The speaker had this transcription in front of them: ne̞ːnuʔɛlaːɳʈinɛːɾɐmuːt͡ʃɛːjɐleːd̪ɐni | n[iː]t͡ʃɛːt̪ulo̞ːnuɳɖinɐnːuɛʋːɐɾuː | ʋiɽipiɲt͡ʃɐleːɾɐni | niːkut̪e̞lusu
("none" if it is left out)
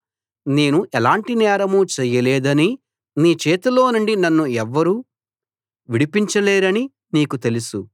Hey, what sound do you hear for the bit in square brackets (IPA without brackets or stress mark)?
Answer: iː